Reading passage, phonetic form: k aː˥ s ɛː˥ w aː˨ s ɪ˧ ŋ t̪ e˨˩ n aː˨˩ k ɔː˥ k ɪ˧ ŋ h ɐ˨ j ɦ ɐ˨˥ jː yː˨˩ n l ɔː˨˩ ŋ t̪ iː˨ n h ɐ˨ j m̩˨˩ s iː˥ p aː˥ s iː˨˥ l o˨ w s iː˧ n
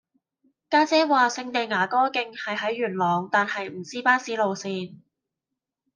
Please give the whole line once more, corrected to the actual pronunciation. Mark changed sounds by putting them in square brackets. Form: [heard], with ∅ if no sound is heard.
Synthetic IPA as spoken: k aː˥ [t͡s] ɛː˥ w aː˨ s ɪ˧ ŋ t̪ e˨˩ [ŋ] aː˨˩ k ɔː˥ k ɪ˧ ŋ h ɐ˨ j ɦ ɐ˨˥ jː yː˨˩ n l ɔː˨˩ ŋ t̪ [aː˨] n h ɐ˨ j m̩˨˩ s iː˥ p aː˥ s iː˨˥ l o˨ w s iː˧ n